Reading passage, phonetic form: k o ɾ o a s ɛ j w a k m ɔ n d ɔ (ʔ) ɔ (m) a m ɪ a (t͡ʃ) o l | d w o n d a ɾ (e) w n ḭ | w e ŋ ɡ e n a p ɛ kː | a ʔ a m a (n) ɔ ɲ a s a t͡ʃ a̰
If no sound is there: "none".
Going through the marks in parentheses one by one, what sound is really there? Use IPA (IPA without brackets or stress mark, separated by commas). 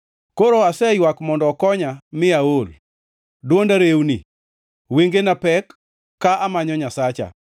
k, ɲ, none, e, ɲ